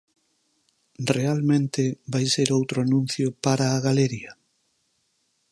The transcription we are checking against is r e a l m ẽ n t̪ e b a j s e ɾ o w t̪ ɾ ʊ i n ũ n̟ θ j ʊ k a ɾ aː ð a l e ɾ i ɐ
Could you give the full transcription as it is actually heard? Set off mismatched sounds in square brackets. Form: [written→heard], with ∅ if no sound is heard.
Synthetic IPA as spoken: r e a l m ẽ n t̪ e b a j s e ɾ o w t̪ ɾ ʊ [i→a] n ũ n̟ θ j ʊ [k→p] a ɾ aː [ð→ɣ] a l e ɾ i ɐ